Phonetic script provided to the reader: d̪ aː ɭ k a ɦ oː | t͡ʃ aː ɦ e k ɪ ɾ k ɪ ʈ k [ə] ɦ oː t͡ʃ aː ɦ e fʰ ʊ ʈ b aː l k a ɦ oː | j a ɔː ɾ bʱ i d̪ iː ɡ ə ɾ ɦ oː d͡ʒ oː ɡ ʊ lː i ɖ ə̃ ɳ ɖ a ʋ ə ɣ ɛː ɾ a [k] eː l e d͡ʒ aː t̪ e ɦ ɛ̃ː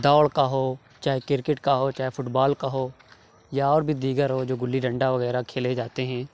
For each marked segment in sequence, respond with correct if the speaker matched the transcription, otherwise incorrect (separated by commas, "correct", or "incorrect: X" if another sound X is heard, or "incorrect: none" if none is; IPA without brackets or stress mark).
incorrect: a, incorrect: kʰ